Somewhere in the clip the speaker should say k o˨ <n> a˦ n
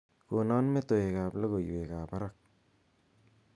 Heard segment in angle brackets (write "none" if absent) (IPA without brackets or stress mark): n